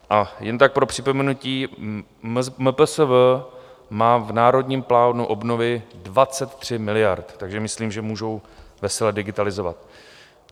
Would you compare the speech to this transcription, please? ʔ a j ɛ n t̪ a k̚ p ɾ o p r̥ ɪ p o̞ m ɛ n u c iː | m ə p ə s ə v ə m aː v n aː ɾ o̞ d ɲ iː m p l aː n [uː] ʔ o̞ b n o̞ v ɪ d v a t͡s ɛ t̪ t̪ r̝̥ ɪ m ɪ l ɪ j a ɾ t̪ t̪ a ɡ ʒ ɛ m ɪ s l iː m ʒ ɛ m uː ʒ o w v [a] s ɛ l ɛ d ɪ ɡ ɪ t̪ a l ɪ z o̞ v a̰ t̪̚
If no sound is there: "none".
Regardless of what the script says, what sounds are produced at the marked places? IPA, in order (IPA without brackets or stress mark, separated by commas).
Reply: u, ɛ